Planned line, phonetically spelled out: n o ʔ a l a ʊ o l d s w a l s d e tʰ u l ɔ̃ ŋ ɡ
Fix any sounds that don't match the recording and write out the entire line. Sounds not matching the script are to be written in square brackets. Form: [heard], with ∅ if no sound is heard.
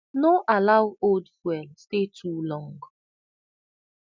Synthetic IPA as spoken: n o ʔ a l a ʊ o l d [f] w [ɛ] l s [t] e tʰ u l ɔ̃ ŋ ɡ

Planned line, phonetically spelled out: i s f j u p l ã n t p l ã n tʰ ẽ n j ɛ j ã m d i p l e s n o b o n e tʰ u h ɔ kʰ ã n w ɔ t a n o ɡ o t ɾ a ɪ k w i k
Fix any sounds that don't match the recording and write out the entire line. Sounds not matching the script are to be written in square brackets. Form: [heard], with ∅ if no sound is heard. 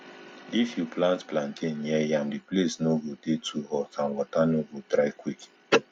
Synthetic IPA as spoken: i [∅] f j u p l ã n t p l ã n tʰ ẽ n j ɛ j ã m d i p l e s n o [ɡ] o [d] e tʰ u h ɔ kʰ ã n w ɔ t a n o ɡ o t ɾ a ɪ k w i k

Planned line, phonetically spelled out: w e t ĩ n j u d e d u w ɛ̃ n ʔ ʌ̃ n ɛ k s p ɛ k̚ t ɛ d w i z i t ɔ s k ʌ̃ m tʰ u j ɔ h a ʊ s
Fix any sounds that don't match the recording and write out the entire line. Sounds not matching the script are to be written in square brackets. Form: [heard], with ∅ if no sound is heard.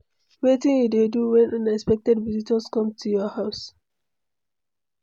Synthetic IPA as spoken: w e t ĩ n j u d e d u w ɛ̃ n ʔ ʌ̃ n ɛ k s p ɛ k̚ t ɛ d [v] i z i t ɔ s k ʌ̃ m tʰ u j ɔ h a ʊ s

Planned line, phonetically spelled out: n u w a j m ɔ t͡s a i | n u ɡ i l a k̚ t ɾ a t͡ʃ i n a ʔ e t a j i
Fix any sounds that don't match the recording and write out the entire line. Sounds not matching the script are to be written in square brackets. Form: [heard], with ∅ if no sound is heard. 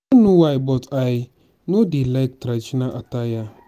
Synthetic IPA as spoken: n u w a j [b] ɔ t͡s a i | n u [d] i l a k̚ t ɾ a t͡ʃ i n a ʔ [a] t a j [a]

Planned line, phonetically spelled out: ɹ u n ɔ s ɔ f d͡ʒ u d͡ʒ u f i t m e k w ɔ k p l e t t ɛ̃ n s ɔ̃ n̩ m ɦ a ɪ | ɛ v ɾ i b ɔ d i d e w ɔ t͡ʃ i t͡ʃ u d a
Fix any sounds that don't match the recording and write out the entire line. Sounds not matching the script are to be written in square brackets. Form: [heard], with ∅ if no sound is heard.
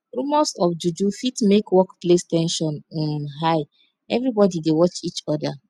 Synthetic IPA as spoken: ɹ u [m] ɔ s ɔ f d͡ʒ u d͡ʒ u f i t m e k w ɔ k p l e [s] t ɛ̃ n [ʃ] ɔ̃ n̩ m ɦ a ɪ | ɛ v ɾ i b ɔ d i d e w ɔ t͡ʃ i t͡ʃ [ɔ] d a

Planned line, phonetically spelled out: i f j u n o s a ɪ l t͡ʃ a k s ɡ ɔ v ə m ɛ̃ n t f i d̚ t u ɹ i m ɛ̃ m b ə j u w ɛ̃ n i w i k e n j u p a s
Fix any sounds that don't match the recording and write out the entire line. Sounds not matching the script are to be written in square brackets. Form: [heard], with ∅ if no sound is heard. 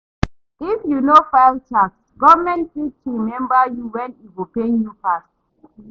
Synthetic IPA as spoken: i f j u n o [f] a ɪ l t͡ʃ a k s ɡ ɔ v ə m ɛ̃ n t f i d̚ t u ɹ i m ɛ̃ m b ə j u w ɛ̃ n i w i [p] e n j u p a s

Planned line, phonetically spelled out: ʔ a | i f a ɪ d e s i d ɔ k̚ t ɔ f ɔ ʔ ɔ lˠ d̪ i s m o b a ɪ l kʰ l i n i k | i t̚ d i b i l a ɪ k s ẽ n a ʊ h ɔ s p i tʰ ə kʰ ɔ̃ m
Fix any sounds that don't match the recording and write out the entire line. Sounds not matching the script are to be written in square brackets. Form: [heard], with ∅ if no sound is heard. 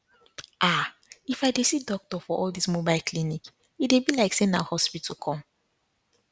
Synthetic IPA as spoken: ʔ a | i f a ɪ d e s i d ɔ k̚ t ɔ f ɔ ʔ ɔ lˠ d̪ i s m o b a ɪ l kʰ l i n i k | i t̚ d [e] b i l a ɪ k s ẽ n a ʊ h ɔ s p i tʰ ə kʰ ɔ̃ m

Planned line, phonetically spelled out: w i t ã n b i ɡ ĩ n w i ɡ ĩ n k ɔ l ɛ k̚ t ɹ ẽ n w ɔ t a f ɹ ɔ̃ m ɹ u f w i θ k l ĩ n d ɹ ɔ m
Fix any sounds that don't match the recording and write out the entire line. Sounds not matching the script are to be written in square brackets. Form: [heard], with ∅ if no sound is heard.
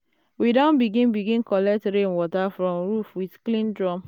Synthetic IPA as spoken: w i [d] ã n b i ɡ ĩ n [b] i ɡ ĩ n k ɔ l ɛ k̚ t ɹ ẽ n w ɔ t a f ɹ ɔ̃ m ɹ u f w i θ k l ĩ n d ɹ ɔ m

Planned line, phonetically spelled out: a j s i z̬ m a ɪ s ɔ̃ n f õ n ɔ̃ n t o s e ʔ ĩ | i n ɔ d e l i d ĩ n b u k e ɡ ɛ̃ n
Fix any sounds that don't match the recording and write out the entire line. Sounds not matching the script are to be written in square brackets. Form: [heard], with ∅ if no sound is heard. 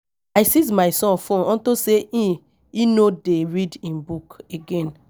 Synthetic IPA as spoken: a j s i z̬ m a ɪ s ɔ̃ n f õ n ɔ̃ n t o s e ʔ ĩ | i n [o] d e [ɹ] i d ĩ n b u k e ɡ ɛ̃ n

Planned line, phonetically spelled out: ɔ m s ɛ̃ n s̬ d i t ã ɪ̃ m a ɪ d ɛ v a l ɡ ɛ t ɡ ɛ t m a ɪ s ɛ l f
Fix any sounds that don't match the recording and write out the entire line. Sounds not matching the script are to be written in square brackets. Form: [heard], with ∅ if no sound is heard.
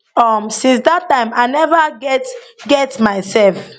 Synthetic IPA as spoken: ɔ m s [ĩ] n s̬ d [a] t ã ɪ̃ m a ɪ [n] ɛ v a [∅] ɡ ɛ t ɡ ɛ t m a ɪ s ɛ l f

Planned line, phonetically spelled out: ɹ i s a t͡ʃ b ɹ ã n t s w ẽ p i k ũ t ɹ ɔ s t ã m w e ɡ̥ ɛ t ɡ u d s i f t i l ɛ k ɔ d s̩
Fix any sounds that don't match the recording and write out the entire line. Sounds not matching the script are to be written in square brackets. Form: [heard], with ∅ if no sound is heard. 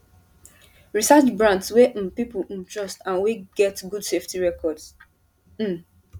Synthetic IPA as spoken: ɹ i s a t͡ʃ b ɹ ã n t s w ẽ p i [p] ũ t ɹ ɔ s t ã [n] w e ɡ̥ ɛ t ɡ u d s [e] f t i [ɹ] ɛ k ɔ d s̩

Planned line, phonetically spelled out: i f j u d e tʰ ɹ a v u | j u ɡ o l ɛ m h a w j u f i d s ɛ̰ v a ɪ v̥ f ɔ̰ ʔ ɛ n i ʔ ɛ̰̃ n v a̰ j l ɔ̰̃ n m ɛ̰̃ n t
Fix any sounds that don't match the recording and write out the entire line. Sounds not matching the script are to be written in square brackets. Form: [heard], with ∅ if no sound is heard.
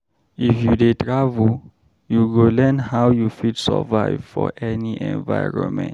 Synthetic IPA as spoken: i f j u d e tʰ ɹ a v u | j u ɡ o l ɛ [n] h a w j u f i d s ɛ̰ v a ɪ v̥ f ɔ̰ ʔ ɛ n i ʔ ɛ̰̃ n v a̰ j [ɹ] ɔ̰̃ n m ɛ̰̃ n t

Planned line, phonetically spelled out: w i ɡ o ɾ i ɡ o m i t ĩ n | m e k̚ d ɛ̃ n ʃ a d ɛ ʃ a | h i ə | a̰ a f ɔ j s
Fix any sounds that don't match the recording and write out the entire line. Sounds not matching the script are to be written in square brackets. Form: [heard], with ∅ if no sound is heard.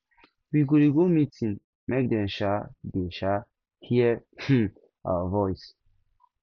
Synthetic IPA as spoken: w i ɡ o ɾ i ɡ o m i t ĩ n | m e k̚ d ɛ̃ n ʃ a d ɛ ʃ a | h i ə | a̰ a [v] ɔ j s

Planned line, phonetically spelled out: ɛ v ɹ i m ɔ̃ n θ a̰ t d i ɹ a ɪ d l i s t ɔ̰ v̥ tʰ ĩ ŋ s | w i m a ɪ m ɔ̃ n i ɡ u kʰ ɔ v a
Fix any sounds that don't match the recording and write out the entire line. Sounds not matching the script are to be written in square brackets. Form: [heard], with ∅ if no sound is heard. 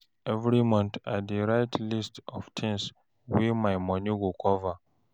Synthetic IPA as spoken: ɛ v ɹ i m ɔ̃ n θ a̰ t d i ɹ a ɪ [t] l i s t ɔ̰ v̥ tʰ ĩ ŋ s | w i m a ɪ m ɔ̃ n i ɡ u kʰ ɔ v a

